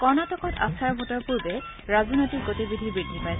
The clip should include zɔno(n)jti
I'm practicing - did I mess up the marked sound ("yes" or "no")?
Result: yes